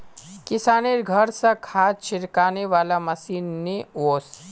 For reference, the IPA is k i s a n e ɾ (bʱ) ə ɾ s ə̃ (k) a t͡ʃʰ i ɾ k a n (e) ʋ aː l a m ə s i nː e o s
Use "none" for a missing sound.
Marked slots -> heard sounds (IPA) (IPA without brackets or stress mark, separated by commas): ɡʱ, kʰ, e